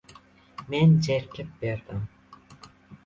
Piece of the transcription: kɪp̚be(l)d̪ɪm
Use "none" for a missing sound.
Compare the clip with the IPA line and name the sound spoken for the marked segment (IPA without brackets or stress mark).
ɾ